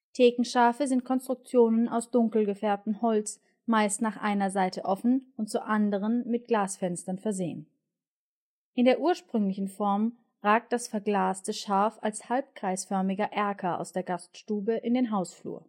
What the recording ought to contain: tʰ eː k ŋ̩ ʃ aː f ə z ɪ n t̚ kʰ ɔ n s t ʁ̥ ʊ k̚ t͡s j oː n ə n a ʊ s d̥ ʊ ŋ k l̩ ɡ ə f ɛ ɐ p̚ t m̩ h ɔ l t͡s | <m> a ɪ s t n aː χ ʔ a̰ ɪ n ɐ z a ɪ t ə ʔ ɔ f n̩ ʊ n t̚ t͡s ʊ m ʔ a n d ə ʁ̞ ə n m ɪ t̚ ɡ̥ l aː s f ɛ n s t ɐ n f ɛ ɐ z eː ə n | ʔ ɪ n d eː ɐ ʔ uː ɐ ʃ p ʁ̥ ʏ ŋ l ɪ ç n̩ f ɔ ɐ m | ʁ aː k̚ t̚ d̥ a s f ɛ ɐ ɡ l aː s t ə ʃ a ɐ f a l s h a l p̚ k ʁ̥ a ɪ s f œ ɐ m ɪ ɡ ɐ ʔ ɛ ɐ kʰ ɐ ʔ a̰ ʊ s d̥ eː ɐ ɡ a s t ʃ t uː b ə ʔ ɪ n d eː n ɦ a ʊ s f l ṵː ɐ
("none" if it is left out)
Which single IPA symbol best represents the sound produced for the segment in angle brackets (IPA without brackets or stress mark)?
m